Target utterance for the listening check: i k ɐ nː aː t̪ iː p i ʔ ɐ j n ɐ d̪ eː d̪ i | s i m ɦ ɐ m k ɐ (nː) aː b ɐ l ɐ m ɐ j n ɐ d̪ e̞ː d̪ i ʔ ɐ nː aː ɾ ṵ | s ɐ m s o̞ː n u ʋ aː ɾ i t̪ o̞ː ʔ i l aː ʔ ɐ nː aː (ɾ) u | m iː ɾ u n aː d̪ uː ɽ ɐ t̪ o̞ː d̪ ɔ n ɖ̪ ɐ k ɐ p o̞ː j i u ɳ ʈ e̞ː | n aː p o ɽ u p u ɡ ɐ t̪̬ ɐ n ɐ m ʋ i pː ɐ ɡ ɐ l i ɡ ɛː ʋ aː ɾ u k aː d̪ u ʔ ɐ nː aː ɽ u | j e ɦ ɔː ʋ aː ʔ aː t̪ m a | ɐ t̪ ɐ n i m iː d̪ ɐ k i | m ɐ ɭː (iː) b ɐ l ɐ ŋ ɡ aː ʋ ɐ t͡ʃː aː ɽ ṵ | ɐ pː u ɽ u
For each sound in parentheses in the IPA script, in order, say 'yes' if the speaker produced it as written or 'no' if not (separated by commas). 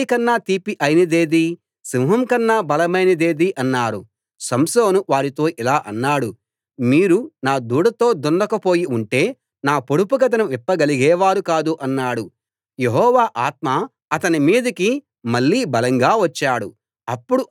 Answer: yes, no, yes